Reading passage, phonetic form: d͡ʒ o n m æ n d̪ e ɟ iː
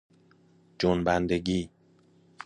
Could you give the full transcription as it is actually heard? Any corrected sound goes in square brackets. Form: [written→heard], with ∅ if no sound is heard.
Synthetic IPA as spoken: d͡ʒ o n [m→b] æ n d̪ e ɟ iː